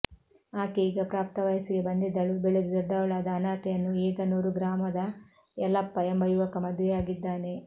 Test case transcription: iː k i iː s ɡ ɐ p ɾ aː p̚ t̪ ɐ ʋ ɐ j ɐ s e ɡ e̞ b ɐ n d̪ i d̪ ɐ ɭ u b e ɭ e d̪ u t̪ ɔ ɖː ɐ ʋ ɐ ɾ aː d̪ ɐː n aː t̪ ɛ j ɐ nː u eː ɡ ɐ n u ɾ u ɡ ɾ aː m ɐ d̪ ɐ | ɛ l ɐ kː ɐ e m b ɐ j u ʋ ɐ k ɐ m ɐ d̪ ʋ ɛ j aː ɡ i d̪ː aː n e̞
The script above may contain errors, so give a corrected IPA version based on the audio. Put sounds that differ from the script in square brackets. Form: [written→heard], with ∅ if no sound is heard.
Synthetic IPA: [iː→aː] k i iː [s→∅] ɡ ɐ p ɾ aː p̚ t̪ ɐ ʋ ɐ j ɐ s [e→i] ɡ e̞ b ɐ n d̪ i d̪ ɐ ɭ u b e ɭ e d̪ u [t̪→d̪] ɔ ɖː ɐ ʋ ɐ [ɾ→ɭ] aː d̪ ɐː n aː t̪ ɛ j ɐ nː u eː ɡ ɐ n [u→uː] ɾ u ɡ ɾ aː m ɐ d̪ ɐ | ɛ l ɐ [kː→pː] ɐ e m b ɐ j u ʋ ɐ k ɐ m ɐ d̪ ʋ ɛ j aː ɡ i d̪ː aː n e̞